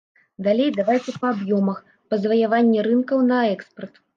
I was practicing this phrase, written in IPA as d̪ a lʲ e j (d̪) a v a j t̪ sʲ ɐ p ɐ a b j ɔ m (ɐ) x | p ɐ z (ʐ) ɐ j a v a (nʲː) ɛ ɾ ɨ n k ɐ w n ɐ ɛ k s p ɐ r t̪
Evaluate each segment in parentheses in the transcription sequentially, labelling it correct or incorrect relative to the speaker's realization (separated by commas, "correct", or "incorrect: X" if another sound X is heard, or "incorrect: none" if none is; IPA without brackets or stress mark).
correct, correct, incorrect: v, correct